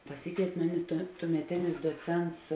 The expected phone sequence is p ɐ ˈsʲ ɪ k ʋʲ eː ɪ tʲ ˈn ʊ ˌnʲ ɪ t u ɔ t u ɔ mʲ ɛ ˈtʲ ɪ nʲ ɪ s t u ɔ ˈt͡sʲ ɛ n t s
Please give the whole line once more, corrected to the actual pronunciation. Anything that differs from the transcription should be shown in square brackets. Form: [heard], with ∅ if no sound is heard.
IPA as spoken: p ɐ ˈsʲ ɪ k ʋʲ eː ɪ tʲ [ˈm] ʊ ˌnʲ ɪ t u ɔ t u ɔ mʲ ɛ ˈtʲ ɪ nʲ ɪ s [d] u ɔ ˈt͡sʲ ɛ n t s